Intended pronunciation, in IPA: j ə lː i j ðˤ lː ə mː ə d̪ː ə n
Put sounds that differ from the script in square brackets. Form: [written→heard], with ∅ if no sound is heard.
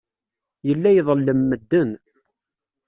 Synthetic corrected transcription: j ə lː [i→æ] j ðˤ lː ə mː ə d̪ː ə n